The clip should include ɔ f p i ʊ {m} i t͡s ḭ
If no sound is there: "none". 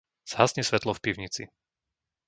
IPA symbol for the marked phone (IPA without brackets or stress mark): ɲ